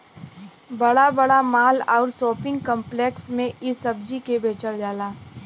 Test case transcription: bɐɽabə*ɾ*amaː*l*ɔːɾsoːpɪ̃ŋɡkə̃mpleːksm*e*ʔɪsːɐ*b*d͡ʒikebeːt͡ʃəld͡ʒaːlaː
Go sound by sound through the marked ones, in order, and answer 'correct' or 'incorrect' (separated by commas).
incorrect, correct, incorrect, correct